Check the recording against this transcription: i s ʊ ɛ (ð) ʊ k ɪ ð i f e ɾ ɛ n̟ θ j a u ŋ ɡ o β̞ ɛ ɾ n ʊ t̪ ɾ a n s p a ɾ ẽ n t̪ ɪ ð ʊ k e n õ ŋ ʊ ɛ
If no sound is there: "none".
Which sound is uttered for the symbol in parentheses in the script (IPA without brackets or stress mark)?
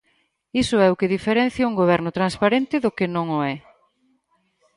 none